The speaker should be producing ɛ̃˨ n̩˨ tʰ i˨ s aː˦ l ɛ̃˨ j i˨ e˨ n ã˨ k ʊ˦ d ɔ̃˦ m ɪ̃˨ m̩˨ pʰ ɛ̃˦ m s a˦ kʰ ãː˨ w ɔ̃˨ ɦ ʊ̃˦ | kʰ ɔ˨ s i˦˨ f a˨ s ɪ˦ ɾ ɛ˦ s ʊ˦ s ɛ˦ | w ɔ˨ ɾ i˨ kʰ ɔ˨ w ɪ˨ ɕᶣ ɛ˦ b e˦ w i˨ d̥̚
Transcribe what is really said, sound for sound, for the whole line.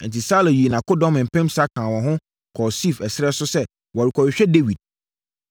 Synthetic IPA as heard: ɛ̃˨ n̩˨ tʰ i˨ s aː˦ l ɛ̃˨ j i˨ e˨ n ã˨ k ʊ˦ d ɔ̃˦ m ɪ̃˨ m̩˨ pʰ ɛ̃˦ m s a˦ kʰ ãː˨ w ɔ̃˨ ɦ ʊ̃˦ | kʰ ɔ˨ s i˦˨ f ɛ˨ s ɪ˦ ɾ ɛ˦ s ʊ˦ s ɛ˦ | w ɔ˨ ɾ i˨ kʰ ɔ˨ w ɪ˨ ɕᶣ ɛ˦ d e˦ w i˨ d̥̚